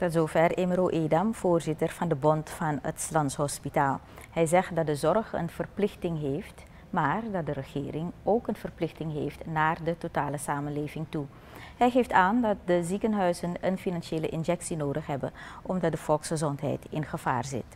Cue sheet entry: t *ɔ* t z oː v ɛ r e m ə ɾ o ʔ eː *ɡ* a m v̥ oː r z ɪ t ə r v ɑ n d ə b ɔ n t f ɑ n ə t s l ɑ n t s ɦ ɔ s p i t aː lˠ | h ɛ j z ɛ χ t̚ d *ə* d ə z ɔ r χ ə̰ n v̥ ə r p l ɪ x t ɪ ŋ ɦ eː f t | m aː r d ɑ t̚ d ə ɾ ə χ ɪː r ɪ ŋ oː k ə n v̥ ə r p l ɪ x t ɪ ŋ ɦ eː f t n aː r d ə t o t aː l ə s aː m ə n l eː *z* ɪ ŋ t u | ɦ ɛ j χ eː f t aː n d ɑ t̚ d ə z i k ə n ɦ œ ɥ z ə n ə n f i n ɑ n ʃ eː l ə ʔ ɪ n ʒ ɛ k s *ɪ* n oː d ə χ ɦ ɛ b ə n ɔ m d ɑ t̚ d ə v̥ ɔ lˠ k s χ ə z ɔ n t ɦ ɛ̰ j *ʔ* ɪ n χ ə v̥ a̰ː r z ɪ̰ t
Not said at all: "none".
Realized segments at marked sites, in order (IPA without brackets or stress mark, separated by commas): ɔ, d, ɑ, v, i, t